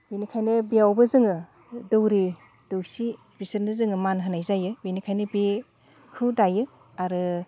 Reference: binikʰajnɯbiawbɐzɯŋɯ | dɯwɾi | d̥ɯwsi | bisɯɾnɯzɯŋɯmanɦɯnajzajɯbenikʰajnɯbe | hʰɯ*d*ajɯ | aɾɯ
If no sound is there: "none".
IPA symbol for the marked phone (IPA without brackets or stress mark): d